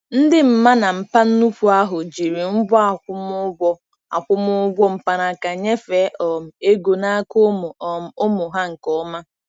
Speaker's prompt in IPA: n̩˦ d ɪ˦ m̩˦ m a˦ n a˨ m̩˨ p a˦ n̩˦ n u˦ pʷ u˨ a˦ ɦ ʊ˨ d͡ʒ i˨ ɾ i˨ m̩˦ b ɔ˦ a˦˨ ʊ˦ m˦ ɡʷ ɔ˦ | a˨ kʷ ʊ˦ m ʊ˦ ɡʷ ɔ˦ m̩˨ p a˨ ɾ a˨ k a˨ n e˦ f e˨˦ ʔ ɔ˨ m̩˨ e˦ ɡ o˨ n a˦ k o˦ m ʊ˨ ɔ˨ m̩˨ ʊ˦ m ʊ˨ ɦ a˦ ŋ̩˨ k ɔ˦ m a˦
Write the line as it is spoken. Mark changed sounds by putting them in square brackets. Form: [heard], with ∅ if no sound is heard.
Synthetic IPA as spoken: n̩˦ d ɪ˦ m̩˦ m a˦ n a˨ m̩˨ p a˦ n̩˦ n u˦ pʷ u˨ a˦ ɦ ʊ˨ d͡ʒ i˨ ɾ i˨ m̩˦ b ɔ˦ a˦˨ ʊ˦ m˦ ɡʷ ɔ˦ | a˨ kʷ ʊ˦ m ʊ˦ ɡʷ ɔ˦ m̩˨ p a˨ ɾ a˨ k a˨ [ɲ] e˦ f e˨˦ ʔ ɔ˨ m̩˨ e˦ ɡ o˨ n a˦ k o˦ m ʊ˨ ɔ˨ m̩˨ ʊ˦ m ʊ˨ ɦ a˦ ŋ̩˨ k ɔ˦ m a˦